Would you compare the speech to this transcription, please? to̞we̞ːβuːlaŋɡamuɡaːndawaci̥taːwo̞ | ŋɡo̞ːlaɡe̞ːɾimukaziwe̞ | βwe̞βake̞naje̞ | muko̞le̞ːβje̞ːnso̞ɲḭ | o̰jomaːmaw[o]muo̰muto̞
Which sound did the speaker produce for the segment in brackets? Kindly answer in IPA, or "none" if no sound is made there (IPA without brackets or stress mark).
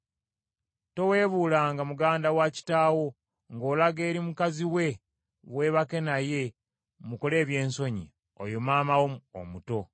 o